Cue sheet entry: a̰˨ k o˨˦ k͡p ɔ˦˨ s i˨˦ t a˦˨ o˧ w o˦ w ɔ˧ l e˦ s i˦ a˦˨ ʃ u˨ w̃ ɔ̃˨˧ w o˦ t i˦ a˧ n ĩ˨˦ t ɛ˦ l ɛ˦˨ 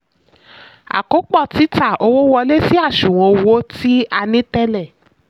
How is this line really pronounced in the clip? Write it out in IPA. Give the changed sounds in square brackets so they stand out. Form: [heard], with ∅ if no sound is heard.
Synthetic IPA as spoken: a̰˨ k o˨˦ k͡p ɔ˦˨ [t] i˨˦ t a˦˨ o˧ w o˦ w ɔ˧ l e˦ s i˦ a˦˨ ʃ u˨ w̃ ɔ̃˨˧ w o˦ t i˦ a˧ n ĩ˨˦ t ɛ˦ l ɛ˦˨